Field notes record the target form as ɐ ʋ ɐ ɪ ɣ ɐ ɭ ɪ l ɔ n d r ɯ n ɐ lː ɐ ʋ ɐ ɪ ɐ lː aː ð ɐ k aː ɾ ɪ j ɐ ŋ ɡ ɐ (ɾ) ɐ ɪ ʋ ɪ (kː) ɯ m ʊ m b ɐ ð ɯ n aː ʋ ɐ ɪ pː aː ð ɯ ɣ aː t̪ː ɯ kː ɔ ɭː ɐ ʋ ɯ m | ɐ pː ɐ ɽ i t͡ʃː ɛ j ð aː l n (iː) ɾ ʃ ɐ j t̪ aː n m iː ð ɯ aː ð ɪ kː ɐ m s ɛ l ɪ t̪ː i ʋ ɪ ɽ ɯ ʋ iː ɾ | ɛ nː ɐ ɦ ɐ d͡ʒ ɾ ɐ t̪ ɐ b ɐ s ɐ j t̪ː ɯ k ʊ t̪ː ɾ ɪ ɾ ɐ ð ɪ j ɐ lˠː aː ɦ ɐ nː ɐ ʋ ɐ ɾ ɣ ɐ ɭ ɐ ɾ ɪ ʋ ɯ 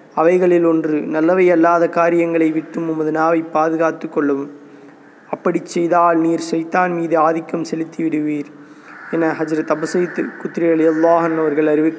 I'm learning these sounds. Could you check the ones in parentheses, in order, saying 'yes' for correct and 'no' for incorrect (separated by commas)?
no, no, yes